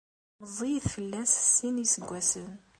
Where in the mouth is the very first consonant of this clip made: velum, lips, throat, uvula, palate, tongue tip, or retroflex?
lips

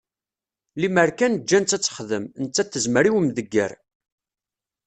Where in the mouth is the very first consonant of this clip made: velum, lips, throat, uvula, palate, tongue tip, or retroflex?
tongue tip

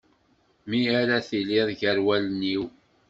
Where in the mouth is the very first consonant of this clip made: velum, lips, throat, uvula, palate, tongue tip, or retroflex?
lips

